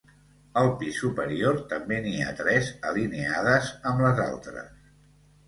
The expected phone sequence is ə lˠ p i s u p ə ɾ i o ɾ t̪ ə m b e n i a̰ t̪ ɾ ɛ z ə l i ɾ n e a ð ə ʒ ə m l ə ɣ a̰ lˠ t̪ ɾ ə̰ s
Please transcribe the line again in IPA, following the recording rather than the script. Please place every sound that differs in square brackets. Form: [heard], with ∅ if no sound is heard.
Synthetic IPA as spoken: ə lˠ p i s u p ə ɾ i o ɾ t̪ ə m b e n i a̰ t̪ ɾ ɛ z ə l i [∅] n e a ð ə [z] ə m l ə [z] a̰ lˠ t̪ ɾ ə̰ s